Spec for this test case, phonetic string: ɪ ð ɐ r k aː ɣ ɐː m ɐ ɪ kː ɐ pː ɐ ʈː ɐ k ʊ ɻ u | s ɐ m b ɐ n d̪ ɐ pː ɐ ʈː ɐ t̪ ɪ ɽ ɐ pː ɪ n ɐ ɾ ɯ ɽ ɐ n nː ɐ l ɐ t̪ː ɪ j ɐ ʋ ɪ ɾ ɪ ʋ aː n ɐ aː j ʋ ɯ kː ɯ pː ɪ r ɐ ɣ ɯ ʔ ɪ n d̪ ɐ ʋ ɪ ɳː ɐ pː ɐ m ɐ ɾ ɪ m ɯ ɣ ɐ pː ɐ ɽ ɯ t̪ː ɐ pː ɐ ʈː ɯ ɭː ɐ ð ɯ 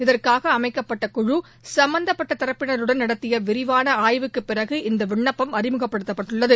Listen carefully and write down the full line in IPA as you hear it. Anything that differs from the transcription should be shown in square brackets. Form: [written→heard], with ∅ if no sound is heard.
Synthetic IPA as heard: ɪ ð ɐ r k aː ɣ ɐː m ɐ ɪ kː ɐ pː ɐ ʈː ɐ k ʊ ɻ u | s ɐ m b ɐ n d̪ ɐ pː ɐ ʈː ɐ t̪ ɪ [ɽ→ɾ] ɐ pː ɪ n ɐ ɾ ɯ ɽ ɐ n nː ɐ [l→ɽ] ɐ t̪ː ɪ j ɐ ʋ ɪ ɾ ɪ ʋ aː n ɐ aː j ʋ ɯ kː ɯ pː ɪ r ɐ ɣ ɯ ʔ ɪ n d̪ ɐ ʋ ɪ ɳː ɐ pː ɐ m ɐ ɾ ɪ m ɯ ɣ ɐ pː ɐ ɽ ɯ t̪ː ɐ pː ɐ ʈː ɯ ɭː ɐ ð ɯ

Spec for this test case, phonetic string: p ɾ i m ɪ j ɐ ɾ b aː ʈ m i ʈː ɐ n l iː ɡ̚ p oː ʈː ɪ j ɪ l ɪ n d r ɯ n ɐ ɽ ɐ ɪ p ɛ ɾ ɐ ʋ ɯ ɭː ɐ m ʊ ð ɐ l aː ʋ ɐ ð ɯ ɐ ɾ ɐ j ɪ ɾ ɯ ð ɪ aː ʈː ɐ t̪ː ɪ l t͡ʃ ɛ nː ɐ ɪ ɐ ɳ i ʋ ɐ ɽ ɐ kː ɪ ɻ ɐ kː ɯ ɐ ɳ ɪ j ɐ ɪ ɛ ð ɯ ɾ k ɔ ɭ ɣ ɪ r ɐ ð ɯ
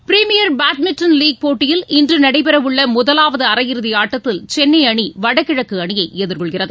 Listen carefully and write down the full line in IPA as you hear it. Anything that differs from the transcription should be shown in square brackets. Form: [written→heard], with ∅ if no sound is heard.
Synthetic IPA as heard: p ɾ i m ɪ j ɐ ɾ b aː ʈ m [i→ɪ] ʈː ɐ n l iː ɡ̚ p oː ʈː ɪ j ɪ l ɪ n d r ɯ n ɐ ɽ ɐ ɪ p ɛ ɾ ɐ ʋ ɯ ɭː ɐ m ʊ ð ɐ l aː ʋ ɐ ð ɯ ɐ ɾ ɐ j ɪ ɾ ɯ ð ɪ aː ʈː ɐ t̪ː ɪ l t͡ʃ ɛ nː ɐ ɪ ɐ ɳ i ʋ ɐ ɽ ɐ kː ɪ ɻ ɐ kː ɯ ɐ ɳ ɪ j ɐ ɪ ɛ ð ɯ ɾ k ɔ ɭ ɣ ɪ r ɐ ð ɯ

